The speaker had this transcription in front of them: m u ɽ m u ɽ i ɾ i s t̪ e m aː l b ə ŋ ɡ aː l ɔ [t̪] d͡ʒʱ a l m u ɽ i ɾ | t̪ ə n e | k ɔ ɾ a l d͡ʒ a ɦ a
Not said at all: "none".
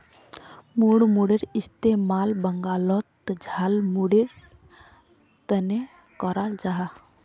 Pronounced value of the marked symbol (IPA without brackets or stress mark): t̪